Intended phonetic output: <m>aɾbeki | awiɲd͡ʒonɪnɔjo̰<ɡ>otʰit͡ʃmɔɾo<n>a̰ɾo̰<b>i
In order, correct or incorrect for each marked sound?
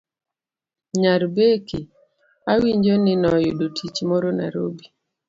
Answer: incorrect: ɲ, incorrect: d, correct, correct

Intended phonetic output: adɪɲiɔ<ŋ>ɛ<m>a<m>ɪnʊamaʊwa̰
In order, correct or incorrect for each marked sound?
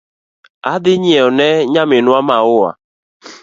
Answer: incorrect: n, incorrect: ɲ, correct

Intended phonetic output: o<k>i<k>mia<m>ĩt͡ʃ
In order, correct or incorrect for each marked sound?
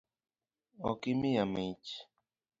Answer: correct, incorrect: none, correct

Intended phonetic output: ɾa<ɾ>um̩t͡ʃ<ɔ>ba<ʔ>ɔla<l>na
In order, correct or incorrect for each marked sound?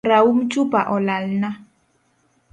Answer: incorrect: none, incorrect: u, correct, correct

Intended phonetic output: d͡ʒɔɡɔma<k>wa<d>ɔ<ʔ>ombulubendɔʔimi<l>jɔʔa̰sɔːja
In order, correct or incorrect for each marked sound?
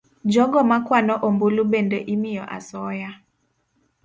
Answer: correct, incorrect: n, correct, incorrect: none

